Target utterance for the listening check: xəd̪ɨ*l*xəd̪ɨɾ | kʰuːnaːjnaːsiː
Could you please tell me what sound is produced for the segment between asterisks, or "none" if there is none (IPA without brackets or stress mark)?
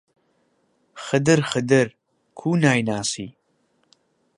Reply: ɾ